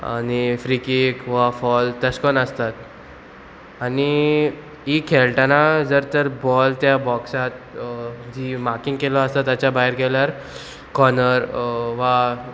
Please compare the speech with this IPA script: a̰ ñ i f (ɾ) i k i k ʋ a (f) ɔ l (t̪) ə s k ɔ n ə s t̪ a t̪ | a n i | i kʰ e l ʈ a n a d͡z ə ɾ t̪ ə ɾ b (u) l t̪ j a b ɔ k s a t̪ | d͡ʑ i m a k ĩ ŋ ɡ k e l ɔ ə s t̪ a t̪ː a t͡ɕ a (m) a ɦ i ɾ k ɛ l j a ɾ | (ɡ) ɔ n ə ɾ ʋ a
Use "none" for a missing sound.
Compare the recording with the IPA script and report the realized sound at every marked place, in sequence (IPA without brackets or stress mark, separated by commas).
ɾ, f, t̪, ɔ, b, k